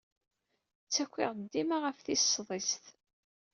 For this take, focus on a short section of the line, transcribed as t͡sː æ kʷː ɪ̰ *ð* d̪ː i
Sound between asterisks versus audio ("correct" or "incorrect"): incorrect